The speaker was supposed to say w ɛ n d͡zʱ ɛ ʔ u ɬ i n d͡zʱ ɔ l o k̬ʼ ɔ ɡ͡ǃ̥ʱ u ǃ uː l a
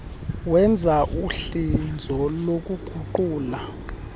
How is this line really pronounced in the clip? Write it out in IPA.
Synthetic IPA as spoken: w ɛ n d͡zʱ a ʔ u ɬ i n d͡zʱ ɔ l o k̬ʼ u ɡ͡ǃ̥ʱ u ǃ uː l a